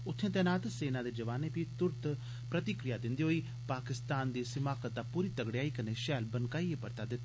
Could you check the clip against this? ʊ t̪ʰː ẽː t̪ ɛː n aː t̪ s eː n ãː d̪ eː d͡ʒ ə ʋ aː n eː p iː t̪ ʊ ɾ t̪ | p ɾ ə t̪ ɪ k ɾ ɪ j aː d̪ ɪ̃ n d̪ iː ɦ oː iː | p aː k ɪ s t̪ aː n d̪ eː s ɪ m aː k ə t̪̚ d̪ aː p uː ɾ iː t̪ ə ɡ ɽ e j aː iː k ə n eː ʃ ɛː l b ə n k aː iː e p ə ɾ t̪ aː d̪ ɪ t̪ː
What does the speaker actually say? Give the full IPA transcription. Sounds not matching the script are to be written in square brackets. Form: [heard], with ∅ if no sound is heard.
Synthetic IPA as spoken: ʊ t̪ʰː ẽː t̪ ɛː n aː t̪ s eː n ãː d̪ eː d͡ʒ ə ʋ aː n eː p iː t̪ ʊ ɾ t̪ | p ɾ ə t̪ ɪ k ɾ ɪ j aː d̪ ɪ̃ n d̪ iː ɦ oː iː | p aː k ɪ s t̪ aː n d̪ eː s ɪ m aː k ə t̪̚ d̪ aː p uː ɾ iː t̪ ə ɡ ɽ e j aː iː k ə n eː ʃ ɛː l b ə n k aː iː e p ə ɾ t̪ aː d̪ ɪ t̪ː